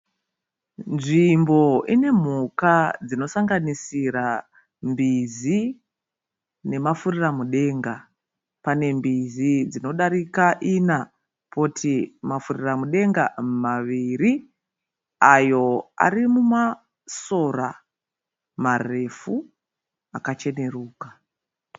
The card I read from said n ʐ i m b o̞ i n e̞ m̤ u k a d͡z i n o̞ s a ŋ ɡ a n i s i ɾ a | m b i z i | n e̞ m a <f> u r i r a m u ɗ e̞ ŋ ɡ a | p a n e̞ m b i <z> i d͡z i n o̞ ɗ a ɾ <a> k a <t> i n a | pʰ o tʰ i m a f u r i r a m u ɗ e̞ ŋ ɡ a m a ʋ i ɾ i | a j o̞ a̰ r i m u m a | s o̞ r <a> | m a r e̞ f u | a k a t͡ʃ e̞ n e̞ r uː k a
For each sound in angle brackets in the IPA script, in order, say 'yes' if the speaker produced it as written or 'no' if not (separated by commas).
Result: yes, yes, no, no, yes